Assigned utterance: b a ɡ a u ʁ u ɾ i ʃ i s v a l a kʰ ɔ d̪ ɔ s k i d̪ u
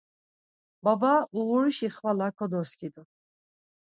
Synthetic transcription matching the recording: b a b a u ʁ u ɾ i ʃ i χ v a l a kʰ ɔ d̪ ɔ s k i d̪ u